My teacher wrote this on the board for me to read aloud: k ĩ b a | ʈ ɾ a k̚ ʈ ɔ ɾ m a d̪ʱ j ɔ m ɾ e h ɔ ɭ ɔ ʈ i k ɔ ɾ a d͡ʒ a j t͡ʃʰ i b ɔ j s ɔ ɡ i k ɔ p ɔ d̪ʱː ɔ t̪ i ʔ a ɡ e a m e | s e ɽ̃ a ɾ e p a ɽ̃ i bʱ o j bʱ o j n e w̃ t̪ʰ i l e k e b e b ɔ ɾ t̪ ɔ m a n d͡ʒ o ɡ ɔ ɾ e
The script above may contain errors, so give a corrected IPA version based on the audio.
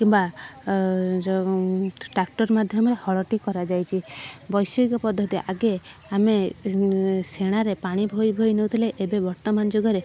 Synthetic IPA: k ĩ b a | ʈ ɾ a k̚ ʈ ɔ ɾ m a d̪ʱ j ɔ m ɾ e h ɔ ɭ ɔ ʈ i k ɔ ɾ a d͡ʒ a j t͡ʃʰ i b ɔ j s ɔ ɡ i k ɔ p ɔ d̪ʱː ɔ t̪ i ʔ a ɡ e a m e | s e ɽ̃ a ɾ e p a ɽ̃ i bʱ o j bʱ o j n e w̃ t̪ʰ i l e ʔ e b e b ɔ ɾ t̪ ɔ m a n d͡ʒ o ɡ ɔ ɾ e